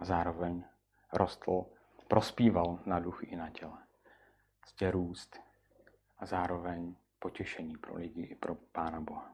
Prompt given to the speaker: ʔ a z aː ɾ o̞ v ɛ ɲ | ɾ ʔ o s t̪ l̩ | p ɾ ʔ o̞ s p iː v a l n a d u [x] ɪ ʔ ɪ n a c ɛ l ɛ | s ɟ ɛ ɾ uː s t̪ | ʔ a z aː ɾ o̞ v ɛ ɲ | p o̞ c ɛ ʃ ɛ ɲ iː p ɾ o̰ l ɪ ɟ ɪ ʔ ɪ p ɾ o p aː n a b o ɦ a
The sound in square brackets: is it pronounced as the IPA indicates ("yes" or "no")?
yes